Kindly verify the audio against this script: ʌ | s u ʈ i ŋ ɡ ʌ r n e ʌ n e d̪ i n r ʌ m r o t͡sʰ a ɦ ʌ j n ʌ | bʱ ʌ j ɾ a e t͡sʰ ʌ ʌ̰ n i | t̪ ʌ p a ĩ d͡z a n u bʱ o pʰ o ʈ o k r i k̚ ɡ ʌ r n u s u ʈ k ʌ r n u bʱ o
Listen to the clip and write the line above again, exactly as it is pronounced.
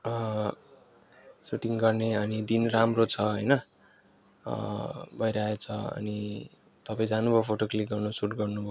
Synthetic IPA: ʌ | s u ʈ i ŋ ɡ ʌ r n e ʌ n i d̪ i n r a m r o t͡sʰ ʌ ɦ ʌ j n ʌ | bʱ ʌ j ɾ a e t͡sʰ ʌ ʌ̰ n i | t̪ ʌ p a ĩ d͡z a n u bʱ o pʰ o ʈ o k l i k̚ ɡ ʌ r n u s u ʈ ɡ ʌ r n u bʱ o